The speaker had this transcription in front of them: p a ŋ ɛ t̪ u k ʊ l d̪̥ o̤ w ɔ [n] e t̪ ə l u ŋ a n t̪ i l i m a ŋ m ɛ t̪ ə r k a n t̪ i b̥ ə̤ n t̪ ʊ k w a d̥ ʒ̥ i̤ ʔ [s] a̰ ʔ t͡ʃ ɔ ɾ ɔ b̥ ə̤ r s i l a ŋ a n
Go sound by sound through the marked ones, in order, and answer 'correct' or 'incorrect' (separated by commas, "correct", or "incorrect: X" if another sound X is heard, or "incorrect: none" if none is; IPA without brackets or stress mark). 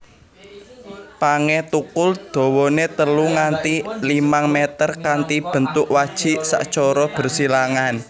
correct, correct